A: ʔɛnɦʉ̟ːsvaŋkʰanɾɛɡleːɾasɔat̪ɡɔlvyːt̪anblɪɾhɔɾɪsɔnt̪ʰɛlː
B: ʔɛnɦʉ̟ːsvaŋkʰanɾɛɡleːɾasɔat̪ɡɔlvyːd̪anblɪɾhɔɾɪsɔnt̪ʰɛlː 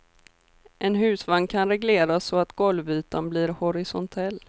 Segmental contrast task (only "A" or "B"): A